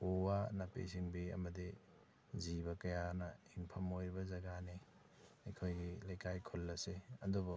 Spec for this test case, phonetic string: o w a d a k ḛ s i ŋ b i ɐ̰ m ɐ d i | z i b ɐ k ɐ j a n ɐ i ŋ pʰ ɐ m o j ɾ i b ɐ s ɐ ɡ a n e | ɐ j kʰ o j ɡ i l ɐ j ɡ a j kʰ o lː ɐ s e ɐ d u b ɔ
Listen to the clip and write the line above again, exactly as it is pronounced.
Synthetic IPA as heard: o w a n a p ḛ s i ŋ b i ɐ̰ m ɐ d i | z i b ɐ k ɐ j a n ɐ i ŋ pʰ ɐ m o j ɾ i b ɐ z ɐ ɡ a n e | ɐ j kʰ o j ɡ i l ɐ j k a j kʰ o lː ɐ s e ɐ d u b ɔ